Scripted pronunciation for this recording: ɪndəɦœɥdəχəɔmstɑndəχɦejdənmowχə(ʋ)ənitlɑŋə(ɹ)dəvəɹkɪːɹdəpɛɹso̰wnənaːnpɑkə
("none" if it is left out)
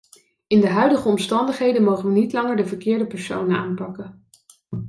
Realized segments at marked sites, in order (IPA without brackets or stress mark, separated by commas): ʋ, ɹ